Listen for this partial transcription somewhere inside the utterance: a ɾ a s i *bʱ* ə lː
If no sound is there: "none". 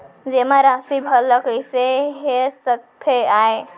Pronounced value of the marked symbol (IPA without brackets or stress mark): bʱ